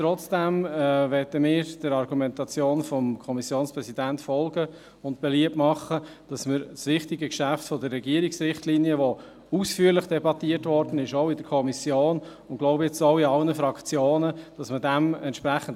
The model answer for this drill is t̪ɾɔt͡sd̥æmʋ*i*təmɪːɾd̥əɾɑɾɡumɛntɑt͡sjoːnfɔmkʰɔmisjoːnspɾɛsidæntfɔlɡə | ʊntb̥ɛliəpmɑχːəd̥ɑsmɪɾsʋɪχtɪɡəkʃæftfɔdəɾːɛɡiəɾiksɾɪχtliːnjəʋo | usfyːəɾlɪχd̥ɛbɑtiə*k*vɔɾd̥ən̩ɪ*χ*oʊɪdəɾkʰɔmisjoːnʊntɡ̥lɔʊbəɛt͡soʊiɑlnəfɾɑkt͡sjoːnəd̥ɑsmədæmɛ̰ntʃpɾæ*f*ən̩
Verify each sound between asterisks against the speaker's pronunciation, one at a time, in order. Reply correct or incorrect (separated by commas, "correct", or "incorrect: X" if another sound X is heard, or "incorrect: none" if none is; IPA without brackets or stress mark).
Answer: incorrect: ɛ, incorrect: t, incorrect: ʃ, incorrect: χ